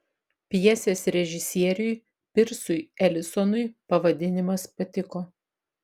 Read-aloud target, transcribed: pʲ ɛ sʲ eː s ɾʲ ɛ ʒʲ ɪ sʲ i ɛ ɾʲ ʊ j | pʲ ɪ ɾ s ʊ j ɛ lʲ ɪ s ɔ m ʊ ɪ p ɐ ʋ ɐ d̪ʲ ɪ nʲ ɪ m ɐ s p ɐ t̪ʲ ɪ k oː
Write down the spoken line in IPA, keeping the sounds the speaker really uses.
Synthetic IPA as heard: pʲ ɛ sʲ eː s ɾʲ ɛ ʒʲ ɪ sʲ i ɛ ɾʲ ʊ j | pʲ ɪ ɾ s ʊ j ɛ lʲ ɪ s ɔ n ʊ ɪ p ɐ ʋ ɐ d̪ʲ ɪ nʲ ɪ m ɐ s p ɐ t̪ʲ ɪ k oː